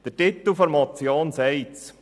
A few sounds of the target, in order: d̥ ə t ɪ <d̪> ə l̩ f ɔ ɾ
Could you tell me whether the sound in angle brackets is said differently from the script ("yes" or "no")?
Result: yes